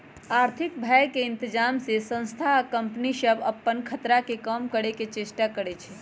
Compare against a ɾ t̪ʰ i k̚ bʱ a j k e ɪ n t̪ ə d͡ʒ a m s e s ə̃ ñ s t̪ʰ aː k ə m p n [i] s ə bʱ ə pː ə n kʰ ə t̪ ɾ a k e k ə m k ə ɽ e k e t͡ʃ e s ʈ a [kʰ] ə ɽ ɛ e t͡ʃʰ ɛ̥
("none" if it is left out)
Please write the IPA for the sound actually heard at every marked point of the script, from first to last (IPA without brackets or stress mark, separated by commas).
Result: i, k